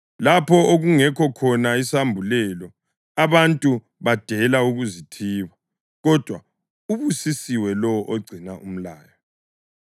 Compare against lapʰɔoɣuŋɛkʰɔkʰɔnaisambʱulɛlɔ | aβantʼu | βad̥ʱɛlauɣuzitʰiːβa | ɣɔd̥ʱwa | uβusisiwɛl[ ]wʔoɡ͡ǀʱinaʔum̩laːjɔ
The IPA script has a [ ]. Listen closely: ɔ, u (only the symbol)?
ɔ